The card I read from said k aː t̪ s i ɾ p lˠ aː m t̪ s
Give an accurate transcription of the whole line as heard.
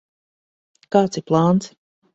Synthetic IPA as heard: k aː t̪ s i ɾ p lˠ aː n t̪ s